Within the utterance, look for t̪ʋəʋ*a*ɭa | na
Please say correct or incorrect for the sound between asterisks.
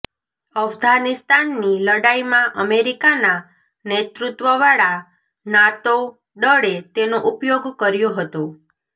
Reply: correct